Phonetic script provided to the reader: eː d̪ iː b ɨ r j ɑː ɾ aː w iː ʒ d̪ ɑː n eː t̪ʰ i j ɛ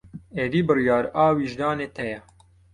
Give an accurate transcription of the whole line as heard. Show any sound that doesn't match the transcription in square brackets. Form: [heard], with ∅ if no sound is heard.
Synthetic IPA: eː d̪ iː b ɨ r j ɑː ɾ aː w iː ʒ d̪ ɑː n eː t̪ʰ [ɛ] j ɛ